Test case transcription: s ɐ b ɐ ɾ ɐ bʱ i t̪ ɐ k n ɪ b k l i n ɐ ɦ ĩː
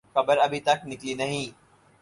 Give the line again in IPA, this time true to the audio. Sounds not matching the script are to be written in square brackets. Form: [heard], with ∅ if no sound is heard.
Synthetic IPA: [x] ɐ b [ə] ɾ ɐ bʱ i t̪ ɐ k n ɪ [∅] k l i n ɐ ɦ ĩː